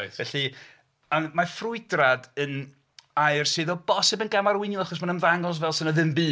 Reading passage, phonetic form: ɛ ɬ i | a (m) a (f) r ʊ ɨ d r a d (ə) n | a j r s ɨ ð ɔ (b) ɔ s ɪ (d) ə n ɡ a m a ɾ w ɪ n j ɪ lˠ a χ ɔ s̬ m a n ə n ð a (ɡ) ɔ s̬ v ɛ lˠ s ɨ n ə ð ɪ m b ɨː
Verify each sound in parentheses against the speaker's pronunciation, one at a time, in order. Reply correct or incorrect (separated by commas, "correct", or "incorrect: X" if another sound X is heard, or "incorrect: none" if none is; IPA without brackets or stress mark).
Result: correct, correct, correct, correct, incorrect: b, incorrect: ŋ